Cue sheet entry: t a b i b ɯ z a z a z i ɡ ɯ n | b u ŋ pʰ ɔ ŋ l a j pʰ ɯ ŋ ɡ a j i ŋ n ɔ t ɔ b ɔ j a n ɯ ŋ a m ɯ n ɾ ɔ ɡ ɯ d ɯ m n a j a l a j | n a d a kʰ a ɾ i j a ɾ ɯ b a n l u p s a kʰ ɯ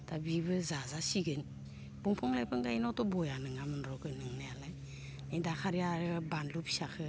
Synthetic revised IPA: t a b i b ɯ z a z a s i ɡ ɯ n | b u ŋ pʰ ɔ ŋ l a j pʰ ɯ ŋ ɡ a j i n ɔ t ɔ b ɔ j a n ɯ ŋ a m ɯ n ɾ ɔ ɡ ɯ n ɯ ŋ n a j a l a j | n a d a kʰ a ɾ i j a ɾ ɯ b a n l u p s a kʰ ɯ